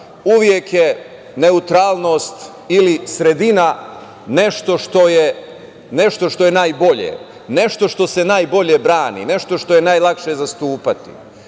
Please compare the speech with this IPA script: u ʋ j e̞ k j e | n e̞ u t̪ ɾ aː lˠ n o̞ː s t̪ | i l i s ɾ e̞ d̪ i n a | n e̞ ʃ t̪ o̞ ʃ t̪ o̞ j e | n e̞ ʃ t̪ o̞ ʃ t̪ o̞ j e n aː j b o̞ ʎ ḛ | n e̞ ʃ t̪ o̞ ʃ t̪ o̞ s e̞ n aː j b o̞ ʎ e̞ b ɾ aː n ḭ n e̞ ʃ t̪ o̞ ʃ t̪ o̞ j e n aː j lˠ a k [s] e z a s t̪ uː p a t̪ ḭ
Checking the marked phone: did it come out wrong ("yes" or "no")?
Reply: yes